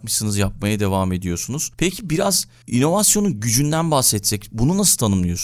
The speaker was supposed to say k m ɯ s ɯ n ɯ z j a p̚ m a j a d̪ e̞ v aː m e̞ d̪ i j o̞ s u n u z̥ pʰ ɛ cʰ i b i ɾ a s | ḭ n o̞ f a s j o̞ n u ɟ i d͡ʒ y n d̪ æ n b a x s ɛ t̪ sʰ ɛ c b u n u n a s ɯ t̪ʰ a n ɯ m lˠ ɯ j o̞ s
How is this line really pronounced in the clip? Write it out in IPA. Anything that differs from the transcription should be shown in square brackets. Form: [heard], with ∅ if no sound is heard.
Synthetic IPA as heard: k m ɯ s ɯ n ɯ z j a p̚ m a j a d̪ e̞ v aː m e̞ d̪ i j o̞ s u n u z̥ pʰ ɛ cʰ i b i ɾ a [z] | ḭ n o̞ [v] a s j o̞ n u ɟ [y] d͡ʒ y n d̪ æ n b a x s ɛ t̪ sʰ ɛ c b u n u n a s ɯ t̪ʰ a n ɯ m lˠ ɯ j o̞ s